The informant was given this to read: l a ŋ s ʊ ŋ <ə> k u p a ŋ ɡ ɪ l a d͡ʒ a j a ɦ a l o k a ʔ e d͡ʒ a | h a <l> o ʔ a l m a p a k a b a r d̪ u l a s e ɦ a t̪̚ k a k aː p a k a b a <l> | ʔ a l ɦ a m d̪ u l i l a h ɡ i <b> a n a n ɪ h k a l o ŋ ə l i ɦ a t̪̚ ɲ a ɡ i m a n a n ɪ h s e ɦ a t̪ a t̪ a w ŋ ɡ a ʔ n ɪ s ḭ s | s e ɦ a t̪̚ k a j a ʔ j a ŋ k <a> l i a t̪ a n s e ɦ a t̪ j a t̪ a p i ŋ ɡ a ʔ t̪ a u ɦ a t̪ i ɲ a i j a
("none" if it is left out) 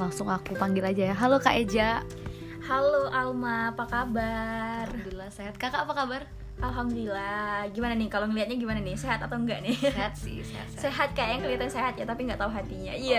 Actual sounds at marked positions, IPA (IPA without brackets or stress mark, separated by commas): a, l, r, m, ə